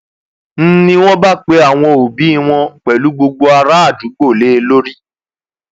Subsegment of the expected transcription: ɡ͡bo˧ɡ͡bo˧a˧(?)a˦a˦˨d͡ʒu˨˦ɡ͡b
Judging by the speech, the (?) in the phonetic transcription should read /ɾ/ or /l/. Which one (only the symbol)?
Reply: ɾ